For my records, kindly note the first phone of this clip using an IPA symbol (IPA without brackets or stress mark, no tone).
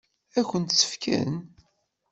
æ